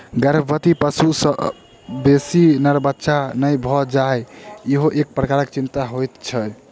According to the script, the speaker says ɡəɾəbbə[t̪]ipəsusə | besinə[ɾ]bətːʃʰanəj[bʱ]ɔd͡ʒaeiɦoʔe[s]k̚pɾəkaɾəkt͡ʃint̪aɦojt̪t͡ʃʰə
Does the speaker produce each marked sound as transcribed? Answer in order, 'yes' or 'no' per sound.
yes, yes, yes, no

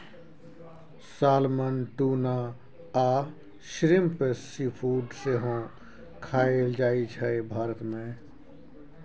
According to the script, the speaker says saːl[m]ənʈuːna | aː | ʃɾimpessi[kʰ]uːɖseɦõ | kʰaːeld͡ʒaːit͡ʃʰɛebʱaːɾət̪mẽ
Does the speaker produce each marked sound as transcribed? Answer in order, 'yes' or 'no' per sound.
yes, no

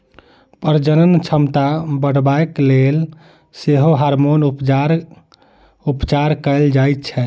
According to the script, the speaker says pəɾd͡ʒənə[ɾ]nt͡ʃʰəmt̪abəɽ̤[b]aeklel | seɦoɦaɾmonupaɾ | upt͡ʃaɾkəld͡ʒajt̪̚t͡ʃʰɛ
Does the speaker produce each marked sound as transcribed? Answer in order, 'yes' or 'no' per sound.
no, yes

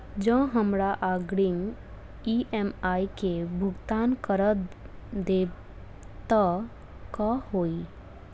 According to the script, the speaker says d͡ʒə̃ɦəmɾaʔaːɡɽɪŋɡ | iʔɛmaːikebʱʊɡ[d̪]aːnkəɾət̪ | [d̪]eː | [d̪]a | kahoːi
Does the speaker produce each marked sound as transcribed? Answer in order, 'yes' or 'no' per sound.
no, yes, no

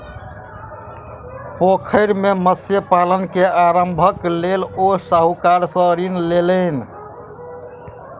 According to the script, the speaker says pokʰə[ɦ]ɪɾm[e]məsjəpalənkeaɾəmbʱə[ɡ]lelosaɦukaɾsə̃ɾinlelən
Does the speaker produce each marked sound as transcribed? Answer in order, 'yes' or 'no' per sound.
no, yes, no

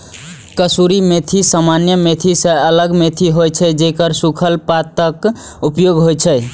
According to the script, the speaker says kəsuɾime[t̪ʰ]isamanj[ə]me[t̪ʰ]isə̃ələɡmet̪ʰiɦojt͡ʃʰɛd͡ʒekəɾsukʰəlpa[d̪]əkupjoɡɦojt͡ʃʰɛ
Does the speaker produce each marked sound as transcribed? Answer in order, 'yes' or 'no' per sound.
yes, yes, yes, no

